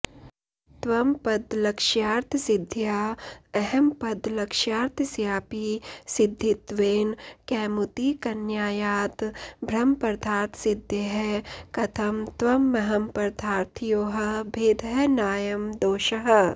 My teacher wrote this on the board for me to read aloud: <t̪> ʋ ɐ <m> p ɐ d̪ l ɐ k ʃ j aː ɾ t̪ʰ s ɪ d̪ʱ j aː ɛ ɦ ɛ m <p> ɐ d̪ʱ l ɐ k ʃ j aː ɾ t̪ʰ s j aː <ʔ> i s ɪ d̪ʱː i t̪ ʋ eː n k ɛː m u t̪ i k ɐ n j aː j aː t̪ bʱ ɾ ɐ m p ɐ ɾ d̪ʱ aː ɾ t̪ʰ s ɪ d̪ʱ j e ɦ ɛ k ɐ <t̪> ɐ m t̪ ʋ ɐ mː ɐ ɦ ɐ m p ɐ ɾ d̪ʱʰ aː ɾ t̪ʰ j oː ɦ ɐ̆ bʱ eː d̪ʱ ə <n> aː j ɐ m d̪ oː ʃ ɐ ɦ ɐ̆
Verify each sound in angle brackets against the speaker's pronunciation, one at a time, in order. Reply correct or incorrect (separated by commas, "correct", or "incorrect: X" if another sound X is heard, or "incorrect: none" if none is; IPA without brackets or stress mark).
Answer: correct, correct, correct, incorrect: p, incorrect: t̪ʰ, correct